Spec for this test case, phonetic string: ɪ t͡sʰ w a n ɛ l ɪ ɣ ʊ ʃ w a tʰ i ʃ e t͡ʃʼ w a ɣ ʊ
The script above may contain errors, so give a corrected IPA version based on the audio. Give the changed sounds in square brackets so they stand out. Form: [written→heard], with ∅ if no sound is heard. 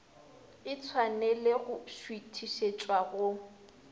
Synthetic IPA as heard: ɪ t͡sʰ w a n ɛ l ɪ ɣ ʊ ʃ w [a→i] tʰ i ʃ e t͡ʃʼ w a ɣ ʊ